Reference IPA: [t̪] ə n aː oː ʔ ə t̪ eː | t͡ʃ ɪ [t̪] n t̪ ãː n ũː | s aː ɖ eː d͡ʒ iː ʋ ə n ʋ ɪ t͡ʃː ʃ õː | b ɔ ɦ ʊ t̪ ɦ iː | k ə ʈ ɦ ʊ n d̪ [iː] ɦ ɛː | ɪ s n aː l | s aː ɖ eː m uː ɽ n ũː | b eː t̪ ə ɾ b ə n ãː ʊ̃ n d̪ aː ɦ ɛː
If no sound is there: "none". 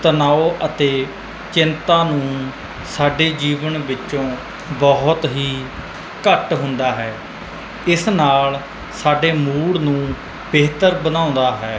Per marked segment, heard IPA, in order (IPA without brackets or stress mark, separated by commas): t̪, none, aː